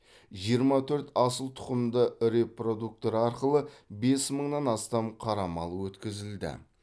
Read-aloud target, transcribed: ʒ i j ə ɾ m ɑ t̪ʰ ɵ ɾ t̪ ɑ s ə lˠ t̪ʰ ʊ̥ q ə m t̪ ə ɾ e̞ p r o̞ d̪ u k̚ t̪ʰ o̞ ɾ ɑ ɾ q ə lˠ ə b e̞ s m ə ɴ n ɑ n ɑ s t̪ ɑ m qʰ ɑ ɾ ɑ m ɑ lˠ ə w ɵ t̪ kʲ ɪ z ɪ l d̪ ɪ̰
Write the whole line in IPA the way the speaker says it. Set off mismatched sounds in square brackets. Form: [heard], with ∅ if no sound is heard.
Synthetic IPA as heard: ʒ i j ə ɾ m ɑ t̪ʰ ɵ ɾ t̪ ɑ s ə lˠ t̪ʰ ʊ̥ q ə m [d̪] ə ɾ e̞ p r o̞ d̪ u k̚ [t̪] o̞ ɾ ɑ ɾ q ə lˠ ə b e̞ s m ə ɴ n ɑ n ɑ s t̪ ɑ m qʰ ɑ ɾ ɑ m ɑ lˠ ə w ɵ t̪ kʲ ɪ z ɪ l d̪ ɪ̰